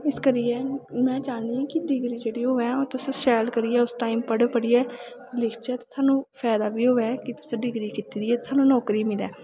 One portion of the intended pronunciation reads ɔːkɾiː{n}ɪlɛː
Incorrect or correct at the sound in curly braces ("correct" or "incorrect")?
incorrect